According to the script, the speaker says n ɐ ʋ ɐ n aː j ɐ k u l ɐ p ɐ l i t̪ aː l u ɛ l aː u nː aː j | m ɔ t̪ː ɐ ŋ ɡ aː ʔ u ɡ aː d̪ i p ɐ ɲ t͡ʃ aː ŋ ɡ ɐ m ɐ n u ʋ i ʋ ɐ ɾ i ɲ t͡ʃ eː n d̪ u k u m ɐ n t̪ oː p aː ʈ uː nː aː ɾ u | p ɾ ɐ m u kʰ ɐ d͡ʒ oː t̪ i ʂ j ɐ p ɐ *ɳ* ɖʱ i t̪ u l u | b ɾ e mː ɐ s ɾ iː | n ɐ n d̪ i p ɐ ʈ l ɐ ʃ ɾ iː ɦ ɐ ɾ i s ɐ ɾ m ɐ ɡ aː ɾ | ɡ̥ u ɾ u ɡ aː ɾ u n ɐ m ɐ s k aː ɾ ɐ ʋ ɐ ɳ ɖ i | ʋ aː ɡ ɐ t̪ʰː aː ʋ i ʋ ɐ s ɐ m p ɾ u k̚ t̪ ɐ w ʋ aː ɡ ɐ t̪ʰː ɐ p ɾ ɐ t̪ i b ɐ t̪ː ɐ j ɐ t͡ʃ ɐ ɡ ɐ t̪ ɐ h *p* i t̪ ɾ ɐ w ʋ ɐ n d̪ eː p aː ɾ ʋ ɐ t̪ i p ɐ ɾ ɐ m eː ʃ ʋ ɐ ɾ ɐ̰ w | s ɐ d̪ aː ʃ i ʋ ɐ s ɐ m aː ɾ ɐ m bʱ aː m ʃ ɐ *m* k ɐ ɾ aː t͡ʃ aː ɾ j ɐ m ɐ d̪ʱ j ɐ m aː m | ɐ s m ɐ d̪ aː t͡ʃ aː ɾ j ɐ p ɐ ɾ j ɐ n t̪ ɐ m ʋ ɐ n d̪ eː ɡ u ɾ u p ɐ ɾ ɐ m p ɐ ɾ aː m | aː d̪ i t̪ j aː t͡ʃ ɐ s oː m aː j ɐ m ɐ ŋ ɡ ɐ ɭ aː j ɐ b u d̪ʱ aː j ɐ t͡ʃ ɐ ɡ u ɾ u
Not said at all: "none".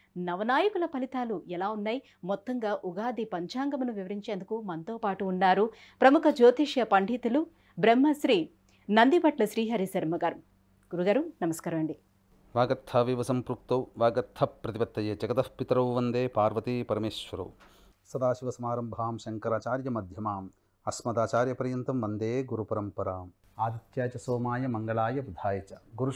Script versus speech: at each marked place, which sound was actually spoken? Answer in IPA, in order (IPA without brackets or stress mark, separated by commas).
ɳ, p, ŋ